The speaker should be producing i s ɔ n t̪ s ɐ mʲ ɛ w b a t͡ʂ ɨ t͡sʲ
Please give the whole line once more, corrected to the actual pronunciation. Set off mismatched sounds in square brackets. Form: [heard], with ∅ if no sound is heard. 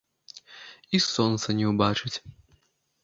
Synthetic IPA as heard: i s ɔ n t̪ s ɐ [nʲ] ɛ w b a t͡ʂ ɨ t͡sʲ

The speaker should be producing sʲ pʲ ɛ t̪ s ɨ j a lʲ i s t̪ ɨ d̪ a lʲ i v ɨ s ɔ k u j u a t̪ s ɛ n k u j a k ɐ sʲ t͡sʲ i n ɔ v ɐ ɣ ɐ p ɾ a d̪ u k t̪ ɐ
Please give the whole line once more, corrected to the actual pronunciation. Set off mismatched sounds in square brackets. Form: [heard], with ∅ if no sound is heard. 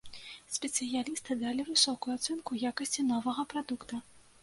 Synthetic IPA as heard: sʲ pʲ ɛ t̪ s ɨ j a lʲ i s t̪ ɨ d̪ a lʲ i v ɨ s ɔ k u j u a t̪ s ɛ n k u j a k ɐ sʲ t͡sʲ i n ɔ v ɐ ɣ ɐ p ɾ a d̪ u k t̪ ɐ

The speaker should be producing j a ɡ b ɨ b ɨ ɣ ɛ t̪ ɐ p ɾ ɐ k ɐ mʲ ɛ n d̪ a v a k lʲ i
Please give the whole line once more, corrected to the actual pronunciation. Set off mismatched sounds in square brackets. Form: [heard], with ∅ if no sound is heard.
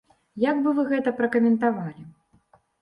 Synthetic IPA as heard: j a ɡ b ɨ [v] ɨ ɣ ɛ t̪ ɐ p ɾ ɐ k ɐ mʲ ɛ n [t̪] a v a [∅] lʲ i

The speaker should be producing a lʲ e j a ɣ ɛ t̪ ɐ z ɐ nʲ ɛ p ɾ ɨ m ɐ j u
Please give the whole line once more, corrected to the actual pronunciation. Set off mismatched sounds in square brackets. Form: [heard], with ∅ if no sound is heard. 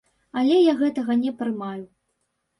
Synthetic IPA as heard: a lʲ [ɛ] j a ɣ ɛ t̪ ɐ [ɣ] ɐ nʲ ɛ p ɾ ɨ m [a] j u

